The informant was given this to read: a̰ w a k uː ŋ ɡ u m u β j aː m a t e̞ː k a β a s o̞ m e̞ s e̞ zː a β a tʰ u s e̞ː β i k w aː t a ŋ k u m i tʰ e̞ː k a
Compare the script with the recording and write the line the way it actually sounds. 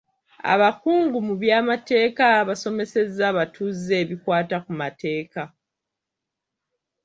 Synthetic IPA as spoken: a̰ β a k uː ŋ ɡ u m u β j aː m a t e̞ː k a β a s o̞ m e̞ s e̞ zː a β a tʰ u z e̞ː β i k w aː t a k u m a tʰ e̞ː k a